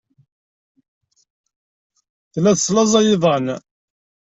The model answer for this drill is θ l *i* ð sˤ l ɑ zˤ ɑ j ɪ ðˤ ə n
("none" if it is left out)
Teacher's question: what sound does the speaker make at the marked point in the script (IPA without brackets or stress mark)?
æ